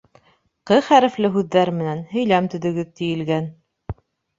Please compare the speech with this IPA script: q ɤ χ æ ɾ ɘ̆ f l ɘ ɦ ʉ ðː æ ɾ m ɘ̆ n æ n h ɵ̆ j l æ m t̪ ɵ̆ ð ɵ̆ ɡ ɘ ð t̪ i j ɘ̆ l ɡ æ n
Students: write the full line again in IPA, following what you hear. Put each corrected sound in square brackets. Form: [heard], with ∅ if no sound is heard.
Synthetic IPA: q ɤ χ æ ɾ ɘ̆ f l ɘ ɦ ʉ ðː æ ɾ m ɘ̆ n æ n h ɵ̆ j l æ m t̪ ɵ̆ ð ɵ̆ ɡ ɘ ð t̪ i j ɘ̆ l ɡ æ n